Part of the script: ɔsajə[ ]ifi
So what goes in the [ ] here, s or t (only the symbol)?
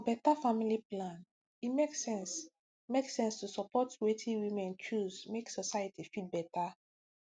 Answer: t